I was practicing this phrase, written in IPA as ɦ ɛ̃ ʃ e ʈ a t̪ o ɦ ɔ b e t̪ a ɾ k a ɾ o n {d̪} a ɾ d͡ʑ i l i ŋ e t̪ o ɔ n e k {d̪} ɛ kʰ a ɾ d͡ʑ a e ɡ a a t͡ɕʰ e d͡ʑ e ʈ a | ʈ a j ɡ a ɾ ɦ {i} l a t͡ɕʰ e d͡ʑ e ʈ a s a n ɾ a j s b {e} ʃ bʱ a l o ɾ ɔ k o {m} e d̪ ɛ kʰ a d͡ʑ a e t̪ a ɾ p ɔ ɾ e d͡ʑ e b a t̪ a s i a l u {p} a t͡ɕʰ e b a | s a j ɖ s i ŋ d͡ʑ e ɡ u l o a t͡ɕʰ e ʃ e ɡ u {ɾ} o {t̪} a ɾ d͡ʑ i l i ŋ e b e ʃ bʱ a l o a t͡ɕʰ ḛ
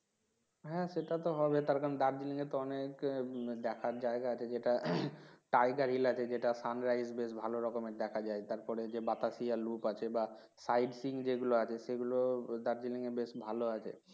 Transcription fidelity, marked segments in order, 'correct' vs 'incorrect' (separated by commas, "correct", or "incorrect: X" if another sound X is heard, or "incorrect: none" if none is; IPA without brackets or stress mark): correct, correct, correct, correct, correct, correct, incorrect: l, incorrect: d̪